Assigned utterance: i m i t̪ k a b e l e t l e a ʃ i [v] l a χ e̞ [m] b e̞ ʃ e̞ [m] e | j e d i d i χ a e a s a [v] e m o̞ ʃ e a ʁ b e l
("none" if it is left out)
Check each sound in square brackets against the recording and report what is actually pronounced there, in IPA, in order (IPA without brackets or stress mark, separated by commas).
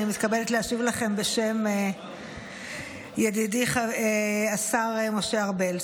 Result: v, m, m, ʁ